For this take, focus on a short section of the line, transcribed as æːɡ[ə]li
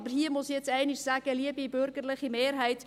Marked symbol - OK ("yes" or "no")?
yes